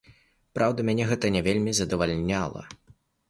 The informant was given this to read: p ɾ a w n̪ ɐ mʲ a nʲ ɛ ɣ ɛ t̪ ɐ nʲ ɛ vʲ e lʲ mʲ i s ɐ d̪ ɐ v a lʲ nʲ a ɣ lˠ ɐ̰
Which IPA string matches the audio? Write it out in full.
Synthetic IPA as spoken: p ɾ a w d̪ ɐ mʲ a nʲ ɛ ɣ ɛ t̪ ɐ nʲ ɛ vʲ e lʲ mʲ i z ɐ d̪ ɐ v a lʲ nʲ a lˠ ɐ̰